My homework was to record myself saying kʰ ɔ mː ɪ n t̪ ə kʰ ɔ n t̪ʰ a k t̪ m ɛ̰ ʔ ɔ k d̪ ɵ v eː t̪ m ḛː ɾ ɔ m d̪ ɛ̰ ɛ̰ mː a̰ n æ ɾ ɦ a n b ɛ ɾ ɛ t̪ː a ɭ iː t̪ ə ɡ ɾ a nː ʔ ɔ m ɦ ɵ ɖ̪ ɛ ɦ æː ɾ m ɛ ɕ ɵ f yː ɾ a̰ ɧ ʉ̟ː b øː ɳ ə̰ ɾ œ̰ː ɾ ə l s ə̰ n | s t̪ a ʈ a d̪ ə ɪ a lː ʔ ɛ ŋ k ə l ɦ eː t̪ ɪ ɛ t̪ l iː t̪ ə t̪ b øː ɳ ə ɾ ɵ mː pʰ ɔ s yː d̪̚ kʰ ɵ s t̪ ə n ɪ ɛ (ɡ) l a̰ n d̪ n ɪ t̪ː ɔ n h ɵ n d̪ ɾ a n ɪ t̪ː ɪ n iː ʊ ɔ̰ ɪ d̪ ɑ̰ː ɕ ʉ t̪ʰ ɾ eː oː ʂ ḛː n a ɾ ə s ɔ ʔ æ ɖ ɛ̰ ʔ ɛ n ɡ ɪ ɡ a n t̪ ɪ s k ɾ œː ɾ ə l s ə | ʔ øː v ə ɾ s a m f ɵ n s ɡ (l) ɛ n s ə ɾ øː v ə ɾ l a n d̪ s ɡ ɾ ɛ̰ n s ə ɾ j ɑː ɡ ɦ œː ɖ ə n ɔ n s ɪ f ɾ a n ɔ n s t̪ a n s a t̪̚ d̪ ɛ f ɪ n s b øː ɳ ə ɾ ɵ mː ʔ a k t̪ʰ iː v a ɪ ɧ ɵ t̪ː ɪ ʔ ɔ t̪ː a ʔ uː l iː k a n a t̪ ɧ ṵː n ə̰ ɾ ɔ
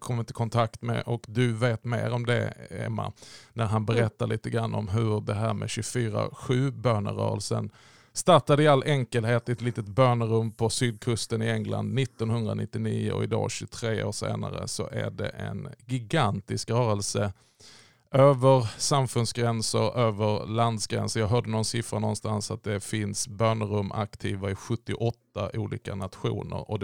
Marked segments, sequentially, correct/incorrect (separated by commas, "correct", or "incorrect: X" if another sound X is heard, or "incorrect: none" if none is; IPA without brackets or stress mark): incorrect: ŋ, incorrect: ɾ